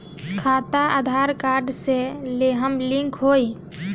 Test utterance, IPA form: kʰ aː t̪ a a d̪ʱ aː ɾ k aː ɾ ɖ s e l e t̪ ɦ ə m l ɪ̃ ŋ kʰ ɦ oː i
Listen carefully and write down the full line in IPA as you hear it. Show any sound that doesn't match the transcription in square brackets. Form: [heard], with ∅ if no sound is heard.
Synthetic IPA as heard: kʰ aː t̪ a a d̪ʱ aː ɾ k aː ɾ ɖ s e l e [∅] ɦ ə m l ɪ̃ ŋ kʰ ɦ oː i